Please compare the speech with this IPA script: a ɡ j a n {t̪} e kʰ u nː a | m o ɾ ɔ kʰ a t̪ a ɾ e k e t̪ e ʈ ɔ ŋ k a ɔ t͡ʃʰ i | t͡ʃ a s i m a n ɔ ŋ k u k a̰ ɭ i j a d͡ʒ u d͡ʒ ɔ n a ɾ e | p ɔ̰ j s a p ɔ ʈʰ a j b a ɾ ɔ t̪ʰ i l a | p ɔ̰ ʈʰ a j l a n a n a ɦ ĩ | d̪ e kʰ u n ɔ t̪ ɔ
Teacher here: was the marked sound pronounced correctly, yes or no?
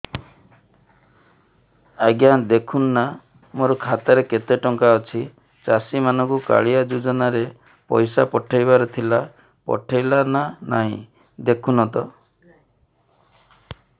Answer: no